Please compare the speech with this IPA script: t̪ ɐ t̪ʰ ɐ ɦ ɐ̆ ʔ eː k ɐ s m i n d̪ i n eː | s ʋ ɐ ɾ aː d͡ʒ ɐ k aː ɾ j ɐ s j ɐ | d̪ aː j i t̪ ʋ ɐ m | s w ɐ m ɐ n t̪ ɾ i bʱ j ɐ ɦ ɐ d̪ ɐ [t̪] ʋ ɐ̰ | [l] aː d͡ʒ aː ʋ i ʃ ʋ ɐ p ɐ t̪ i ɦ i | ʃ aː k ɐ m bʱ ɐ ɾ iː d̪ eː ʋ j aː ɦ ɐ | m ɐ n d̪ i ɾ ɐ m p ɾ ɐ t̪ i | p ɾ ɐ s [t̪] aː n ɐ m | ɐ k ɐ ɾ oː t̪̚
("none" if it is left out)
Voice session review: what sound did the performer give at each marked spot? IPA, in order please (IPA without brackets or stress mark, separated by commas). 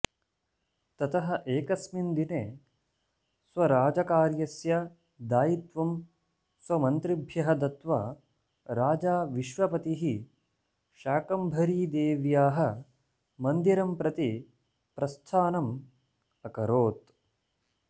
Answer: t̪, ɾ, t̪ʰ